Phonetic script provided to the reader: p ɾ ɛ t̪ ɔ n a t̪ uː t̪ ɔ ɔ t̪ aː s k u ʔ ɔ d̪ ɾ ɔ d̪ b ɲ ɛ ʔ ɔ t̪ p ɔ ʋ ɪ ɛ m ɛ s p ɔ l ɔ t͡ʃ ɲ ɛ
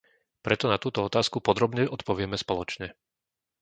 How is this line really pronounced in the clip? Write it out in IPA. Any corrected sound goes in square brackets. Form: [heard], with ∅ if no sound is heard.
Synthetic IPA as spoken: p ɾ ɛ t̪ ɔ n a t̪ uː t̪ ɔ ɔ t̪ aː s k u [p] ɔ d̪ ɾ ɔ [∅] b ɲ ɛ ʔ ɔ t̪ p ɔ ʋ ɪ ɛ m ɛ s p ɔ l ɔ t͡ʃ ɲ ɛ